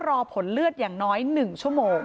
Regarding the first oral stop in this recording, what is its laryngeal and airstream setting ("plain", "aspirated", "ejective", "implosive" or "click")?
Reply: aspirated